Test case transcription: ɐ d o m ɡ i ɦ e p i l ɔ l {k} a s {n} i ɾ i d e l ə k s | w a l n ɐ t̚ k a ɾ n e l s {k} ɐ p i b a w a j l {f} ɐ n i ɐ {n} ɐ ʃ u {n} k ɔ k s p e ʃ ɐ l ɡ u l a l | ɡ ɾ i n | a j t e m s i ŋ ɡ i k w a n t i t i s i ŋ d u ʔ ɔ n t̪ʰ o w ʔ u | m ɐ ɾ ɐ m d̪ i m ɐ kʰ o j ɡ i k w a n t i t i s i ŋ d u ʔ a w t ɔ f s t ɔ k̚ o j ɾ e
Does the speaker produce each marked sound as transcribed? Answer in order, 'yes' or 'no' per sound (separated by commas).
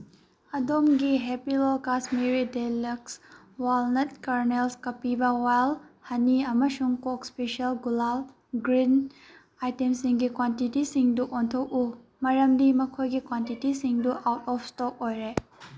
yes, no, yes, no, no, no